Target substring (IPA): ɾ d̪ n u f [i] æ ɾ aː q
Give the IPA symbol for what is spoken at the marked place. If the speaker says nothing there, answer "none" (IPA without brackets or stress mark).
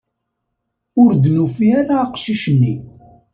i